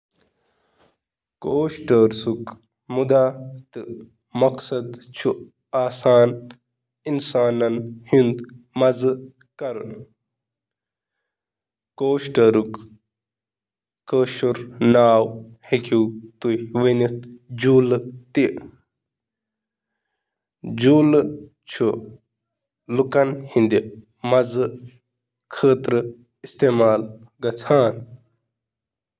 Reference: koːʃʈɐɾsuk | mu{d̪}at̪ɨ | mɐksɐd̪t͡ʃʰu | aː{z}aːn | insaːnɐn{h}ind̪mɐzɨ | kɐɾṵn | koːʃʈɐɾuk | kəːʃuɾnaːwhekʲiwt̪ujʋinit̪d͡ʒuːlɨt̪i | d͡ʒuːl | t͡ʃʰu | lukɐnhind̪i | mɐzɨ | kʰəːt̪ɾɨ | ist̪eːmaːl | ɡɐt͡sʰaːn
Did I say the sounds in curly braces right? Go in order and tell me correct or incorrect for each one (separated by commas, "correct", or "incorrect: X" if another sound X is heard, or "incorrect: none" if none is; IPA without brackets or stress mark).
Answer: correct, incorrect: s, correct